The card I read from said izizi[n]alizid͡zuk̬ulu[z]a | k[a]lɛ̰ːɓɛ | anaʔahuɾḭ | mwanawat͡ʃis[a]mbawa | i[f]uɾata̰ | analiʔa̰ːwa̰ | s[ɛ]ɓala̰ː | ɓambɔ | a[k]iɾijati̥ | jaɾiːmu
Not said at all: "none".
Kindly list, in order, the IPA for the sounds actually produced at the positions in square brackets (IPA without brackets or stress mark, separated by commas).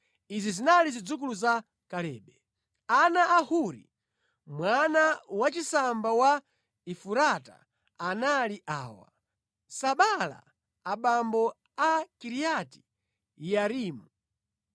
n, z, a, a, f, a, k